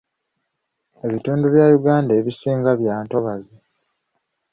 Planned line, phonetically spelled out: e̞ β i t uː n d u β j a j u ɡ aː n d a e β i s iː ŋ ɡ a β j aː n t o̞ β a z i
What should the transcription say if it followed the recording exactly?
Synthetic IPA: e̞ β i t uː n d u β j a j u ɡ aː n d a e β i s iː ŋ ɡ a β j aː n t o̞ β a z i